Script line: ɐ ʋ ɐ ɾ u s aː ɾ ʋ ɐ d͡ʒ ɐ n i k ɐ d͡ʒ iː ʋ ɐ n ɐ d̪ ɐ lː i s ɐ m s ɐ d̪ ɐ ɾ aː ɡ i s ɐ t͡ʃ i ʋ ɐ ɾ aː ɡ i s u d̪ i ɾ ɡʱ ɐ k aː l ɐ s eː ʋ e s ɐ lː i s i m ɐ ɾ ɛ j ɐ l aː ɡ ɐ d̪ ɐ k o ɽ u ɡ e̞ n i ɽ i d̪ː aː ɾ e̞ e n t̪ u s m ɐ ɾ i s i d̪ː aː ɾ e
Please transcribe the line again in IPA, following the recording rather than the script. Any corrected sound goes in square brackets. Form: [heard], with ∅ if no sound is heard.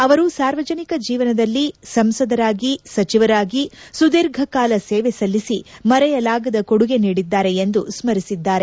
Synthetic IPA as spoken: ɐ ʋ ɐ ɾ u s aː ɾ ʋ ɐ d͡ʒ ɐ n i k ɐ d͡ʒ iː ʋ ɐ n ɐ d̪ ɐ lː i s ɐ m s ɐ d̪ ɐ ɾ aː ɡ i s ɐ t͡ʃ i ʋ ɐ ɾ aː ɡ i s u d̪ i ɾ ɡʱ ɐ k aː l ɐ s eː ʋ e s ɐ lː i s i m ɐ ɾ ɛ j ɐ l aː ɡ ɐ d̪ ɐ k o ɽ u ɡ e̞ n [iː] ɽ i d̪ː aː ɾ e̞ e n [d̪] u s m ɐ ɾ i s i d̪ː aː ɾ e